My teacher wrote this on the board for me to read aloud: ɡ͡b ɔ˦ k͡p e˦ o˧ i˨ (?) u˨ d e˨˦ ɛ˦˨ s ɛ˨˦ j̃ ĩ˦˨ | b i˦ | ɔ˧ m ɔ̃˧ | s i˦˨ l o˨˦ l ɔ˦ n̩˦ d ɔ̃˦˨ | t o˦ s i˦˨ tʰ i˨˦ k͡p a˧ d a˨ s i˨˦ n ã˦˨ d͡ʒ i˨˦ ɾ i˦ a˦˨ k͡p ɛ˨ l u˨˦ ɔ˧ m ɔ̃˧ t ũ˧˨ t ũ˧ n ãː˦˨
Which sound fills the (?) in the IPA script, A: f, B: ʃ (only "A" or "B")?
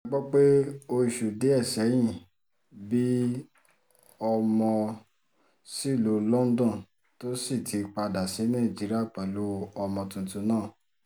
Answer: B